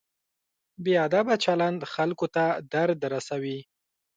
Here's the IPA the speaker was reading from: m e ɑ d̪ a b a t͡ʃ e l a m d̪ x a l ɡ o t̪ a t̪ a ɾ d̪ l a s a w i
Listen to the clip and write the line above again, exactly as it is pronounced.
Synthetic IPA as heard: b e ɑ d̪ a b a t͡ʃ a l a n d̪ x a l k o t̪ a d̪ a ɾ d̪ ɾ a s a w i

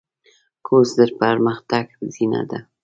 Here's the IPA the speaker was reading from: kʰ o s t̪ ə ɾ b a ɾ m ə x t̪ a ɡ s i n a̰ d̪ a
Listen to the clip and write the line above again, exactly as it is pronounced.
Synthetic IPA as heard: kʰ o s d̪ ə ɾ p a ɾ m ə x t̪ a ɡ z i n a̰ d̪ a

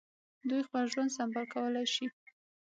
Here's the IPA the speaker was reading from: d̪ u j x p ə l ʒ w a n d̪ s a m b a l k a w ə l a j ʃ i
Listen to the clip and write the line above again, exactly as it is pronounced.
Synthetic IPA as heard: d̪ u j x p ə l ʒ w a n d̪ s a m b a l k a w ə l a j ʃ i

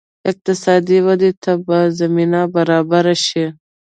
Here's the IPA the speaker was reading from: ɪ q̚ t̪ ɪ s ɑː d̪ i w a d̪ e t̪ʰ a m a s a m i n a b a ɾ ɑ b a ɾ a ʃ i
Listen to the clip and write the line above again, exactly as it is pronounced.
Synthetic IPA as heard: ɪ q̚ t̪ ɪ s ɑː d̪ i w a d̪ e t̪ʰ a b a z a m i n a b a ɾ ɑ b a ɾ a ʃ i

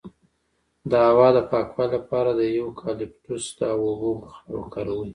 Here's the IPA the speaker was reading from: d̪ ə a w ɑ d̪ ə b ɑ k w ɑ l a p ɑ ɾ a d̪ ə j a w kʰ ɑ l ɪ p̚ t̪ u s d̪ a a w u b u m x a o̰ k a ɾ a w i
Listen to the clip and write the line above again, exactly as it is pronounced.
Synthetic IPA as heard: d̪ ə a w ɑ d̪ ə p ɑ k w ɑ l a p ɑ ɾ a d̪ ə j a w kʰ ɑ l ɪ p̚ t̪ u s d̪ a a w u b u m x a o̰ k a ɾ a w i

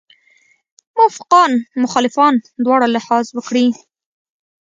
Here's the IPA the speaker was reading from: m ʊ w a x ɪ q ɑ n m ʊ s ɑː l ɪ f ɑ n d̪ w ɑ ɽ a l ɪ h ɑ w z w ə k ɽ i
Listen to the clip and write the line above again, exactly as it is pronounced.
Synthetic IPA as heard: m ʊ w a f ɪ q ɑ n m ʊ x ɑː l ɪ f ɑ n d̪ w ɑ ɽ a l ɪ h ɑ z w ə k ɽ i

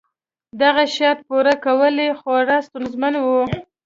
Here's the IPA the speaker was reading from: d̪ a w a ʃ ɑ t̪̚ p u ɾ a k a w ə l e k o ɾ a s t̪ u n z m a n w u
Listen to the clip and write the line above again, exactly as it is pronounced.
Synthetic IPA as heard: d̪ a ɣ a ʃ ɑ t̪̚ p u ɾ a k a w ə l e x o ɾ a s t̪ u n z m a n w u

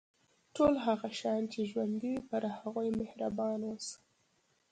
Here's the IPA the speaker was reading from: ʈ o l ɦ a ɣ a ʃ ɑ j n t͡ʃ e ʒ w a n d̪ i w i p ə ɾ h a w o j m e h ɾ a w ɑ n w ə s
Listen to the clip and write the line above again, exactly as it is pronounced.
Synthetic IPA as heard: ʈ o l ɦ a ɣ a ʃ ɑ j n t͡ʃ e ʒ w a n d̪ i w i p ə ɾ h a ɣ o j m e h ɾ a b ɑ n w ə s

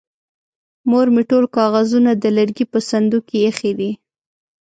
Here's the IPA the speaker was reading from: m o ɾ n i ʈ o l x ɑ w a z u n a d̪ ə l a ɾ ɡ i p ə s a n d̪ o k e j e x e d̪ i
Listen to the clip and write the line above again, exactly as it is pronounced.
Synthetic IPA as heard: m o ɾ m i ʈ o l k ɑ ɣ a z u n a d̪ ə l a ɾ ɡ i p ə s a n d̪ u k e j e x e d̪ i

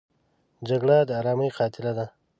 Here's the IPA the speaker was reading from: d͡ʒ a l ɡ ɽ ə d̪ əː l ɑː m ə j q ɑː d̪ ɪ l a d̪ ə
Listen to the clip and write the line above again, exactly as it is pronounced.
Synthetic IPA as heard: d͡ʒ a ɡ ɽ a d̪ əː ɾ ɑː m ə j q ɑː t̪ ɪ l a d̪ a

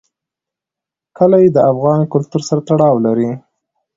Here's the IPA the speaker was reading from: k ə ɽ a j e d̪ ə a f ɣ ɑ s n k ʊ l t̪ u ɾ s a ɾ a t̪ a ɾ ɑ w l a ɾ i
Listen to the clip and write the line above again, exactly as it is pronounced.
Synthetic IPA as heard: k ə l a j e d̪ ə a f ɣ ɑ n k ʊ l t̪ u ɾ s a ɾ a t̪ a ɽ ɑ w l a ɾ i

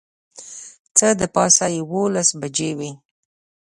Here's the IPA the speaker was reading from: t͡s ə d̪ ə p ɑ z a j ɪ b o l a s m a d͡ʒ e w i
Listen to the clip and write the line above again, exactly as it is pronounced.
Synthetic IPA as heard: t͡s ə d̪ ə p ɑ s a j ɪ w o l a s b a d͡ʒ e w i

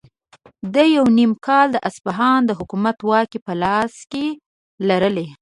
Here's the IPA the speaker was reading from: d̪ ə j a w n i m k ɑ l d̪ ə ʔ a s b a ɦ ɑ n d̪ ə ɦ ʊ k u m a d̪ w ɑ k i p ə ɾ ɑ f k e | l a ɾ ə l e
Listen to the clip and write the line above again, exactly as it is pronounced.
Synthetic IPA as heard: d̪ ə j a w n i m k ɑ l d̪ ə ʔ a s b a ɦ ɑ n d̪ ə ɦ ʊ k u m a t̪ w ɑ k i p ə l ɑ s k e | l a ɾ ə l e

